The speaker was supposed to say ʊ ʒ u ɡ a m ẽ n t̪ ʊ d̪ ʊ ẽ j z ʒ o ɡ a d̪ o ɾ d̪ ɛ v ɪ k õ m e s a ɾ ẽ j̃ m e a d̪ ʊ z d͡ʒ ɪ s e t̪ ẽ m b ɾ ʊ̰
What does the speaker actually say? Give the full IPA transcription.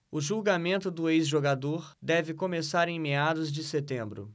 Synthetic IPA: ʊ ʒ u ɡ a m ẽ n t̪ ʊ d̪ ʊ e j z ʒ o ɡ a d̪ o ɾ d̪ ɛ v ɪ k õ m e s a ɾ ẽ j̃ m e a d̪ ʊ z d͡ʒ ɪ s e t̪ ẽ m b ɾ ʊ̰